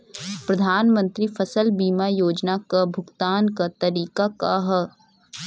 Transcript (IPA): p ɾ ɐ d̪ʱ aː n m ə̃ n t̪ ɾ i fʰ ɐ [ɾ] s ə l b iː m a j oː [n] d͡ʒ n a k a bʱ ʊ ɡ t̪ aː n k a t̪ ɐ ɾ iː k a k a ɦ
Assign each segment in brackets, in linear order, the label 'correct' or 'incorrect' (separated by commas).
incorrect, incorrect